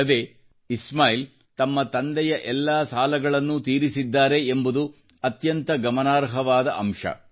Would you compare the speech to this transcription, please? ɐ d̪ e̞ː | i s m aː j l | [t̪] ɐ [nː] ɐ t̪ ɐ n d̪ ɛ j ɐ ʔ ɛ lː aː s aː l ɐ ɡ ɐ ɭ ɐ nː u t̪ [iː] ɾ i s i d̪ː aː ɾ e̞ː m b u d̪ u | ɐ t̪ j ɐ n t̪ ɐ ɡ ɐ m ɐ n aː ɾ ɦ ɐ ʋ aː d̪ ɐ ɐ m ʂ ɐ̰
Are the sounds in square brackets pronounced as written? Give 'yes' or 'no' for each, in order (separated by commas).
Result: yes, no, yes